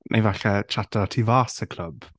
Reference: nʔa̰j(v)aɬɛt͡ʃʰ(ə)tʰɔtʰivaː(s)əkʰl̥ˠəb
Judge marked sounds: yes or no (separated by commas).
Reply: yes, no, yes